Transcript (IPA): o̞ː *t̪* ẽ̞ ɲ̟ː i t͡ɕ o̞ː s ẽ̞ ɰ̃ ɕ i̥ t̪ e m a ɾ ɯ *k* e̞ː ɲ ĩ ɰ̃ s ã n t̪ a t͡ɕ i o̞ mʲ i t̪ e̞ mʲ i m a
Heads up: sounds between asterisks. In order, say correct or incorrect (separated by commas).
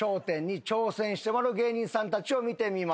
correct, incorrect